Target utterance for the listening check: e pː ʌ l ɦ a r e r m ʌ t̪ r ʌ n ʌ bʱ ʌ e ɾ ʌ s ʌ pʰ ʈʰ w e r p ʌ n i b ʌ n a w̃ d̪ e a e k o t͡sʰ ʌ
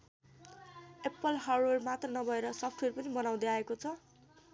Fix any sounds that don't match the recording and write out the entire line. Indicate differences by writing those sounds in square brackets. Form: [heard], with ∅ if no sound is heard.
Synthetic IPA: e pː ʌ l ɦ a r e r m [a] t̪ r ʌ n ʌ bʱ ʌ e ɾ ʌ s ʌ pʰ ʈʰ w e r p ʌ n i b ʌ n a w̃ d̪ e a e k o t͡sʰ ʌ